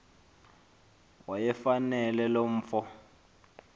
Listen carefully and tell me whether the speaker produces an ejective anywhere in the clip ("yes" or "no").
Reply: no